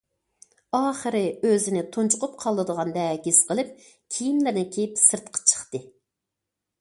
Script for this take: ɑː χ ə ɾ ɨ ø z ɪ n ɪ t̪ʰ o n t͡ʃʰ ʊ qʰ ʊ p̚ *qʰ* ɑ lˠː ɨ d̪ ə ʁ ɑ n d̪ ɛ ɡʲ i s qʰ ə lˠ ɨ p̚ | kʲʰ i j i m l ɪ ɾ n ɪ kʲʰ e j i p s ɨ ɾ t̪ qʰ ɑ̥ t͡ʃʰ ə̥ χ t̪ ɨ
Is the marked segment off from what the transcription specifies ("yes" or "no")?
no